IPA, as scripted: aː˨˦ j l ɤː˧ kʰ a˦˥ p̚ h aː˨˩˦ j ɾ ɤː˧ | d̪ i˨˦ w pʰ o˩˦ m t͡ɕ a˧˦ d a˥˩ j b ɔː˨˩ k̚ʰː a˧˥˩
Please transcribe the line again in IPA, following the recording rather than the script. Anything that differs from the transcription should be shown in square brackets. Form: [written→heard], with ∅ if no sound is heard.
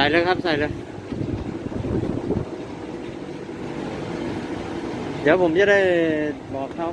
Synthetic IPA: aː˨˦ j l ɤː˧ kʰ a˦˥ p̚ [h→s] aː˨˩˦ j [ɾ→l] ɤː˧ | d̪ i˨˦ w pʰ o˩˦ m t͡ɕ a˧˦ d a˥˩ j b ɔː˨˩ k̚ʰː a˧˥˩